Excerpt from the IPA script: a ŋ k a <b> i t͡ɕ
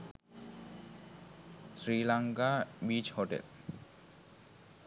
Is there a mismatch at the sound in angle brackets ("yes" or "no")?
no